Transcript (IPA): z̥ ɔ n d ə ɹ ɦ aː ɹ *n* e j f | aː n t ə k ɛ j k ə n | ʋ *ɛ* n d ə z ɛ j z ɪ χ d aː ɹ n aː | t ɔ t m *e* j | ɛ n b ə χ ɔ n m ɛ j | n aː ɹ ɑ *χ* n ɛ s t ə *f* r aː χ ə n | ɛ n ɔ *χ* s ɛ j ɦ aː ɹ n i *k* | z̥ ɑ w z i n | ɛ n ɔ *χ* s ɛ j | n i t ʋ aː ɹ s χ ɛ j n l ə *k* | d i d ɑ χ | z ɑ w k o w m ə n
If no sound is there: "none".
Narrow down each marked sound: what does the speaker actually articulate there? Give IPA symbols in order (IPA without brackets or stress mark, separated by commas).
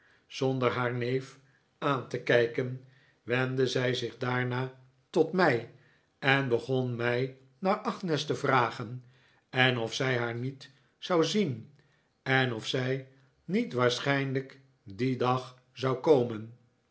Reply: n, ɛ, ɛ, χ, v, f, t, f, k